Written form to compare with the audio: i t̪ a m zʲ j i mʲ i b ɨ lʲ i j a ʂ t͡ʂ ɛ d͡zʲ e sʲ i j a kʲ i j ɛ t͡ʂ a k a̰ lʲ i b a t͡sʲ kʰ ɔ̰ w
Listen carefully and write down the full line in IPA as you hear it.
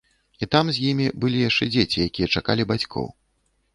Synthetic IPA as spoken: i t̪ a m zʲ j i mʲ i b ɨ lʲ i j a ʂ t͡ʂ ɛ d͡zʲ e t͡sʲ i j a kʲ i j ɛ t͡ʂ a k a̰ lʲ i b a t͡sʲ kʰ ɔ̰ w